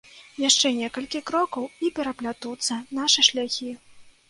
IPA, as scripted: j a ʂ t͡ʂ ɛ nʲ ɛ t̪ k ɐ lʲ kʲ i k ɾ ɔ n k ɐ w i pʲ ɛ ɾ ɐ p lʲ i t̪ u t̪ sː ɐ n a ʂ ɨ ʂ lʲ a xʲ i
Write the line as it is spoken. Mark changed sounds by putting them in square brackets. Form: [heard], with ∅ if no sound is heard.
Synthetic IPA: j a ʂ t͡ʂ ɛ nʲ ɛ [∅] k ɐ lʲ kʲ i k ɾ ɔ [∅] k ɐ w i pʲ ɛ ɾ ɐ p lʲ [a] t̪ u t̪ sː ɐ n a ʂ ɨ ʂ lʲ a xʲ i